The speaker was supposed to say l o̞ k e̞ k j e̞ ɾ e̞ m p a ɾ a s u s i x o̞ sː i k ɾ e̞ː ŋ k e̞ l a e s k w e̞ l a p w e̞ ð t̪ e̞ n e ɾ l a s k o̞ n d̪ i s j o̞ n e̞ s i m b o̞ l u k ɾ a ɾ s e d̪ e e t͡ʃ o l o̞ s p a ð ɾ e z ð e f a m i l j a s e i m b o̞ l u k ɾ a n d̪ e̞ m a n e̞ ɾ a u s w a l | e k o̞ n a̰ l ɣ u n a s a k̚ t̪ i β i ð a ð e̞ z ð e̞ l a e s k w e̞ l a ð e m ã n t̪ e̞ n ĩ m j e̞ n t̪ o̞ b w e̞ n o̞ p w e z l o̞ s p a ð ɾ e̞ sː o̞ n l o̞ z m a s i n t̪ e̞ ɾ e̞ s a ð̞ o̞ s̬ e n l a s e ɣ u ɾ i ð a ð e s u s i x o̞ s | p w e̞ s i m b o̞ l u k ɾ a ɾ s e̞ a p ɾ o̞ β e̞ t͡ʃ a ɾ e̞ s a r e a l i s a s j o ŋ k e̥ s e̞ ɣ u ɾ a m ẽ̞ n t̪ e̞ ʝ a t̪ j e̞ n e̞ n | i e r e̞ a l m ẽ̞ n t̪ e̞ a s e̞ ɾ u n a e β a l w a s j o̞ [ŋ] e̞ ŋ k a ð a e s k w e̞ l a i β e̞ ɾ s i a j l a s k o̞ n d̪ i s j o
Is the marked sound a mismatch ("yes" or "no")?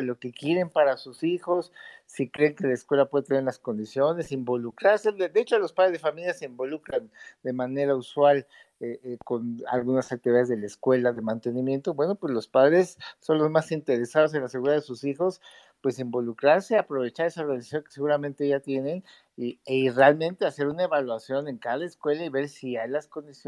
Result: yes